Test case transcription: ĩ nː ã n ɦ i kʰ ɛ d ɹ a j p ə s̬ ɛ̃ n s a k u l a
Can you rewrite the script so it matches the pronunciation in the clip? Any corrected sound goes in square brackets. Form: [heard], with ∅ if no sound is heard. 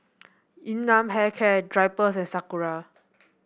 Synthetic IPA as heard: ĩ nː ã [m] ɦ [ɛ] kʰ ɛ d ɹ a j p ə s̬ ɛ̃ n s a k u [ɹ] a